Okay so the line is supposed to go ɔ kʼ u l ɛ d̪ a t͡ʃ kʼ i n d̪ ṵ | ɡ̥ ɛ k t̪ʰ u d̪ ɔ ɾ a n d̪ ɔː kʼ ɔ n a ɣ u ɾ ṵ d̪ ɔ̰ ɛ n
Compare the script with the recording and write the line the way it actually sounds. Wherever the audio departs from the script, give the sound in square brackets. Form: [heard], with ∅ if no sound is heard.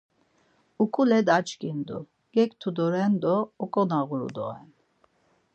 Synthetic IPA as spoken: [u] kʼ u l ɛ d̪ a t͡ʃ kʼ i n d̪ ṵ | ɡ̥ ɛ k t̪ʰ u d̪ ɔ ɾ [ɛ] n d̪ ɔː kʼ ɔ n a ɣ u ɾ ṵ d̪ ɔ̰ ɛ n